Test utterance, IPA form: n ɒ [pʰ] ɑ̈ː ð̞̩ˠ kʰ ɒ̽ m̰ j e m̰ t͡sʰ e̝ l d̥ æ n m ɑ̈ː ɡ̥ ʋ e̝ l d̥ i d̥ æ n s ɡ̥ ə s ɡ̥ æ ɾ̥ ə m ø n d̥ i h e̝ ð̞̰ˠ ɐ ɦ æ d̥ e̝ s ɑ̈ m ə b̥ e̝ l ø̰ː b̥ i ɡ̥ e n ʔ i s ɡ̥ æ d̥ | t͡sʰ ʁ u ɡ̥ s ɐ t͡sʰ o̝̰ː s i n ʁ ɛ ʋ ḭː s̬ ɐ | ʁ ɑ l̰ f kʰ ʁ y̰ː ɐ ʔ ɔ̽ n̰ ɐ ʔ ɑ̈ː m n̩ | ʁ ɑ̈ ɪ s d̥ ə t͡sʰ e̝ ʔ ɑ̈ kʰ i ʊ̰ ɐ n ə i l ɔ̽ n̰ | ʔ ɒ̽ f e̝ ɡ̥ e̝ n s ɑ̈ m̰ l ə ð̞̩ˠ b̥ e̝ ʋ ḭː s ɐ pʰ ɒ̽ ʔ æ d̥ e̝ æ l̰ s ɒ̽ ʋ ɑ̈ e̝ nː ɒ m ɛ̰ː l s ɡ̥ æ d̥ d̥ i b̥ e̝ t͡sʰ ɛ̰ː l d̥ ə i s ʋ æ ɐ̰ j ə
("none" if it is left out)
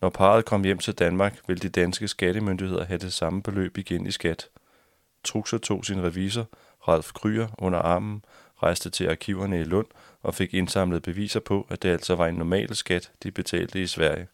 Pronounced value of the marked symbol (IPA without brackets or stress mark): pʰ